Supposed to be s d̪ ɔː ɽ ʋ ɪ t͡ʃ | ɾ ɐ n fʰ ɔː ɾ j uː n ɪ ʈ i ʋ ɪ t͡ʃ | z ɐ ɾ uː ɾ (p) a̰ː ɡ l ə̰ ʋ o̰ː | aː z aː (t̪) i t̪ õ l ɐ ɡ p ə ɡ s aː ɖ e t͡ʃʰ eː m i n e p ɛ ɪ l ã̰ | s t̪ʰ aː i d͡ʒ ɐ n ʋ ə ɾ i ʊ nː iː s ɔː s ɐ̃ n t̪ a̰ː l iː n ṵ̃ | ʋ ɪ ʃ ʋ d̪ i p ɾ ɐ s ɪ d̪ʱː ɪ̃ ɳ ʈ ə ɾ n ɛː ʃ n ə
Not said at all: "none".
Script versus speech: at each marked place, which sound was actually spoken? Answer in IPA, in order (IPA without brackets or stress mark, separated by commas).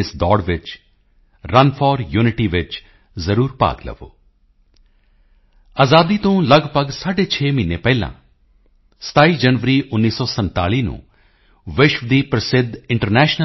p, d̪